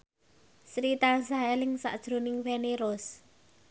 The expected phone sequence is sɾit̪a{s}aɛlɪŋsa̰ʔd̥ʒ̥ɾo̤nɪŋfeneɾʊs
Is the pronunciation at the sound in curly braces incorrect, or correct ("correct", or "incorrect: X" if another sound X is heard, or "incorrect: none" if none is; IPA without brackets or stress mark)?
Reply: correct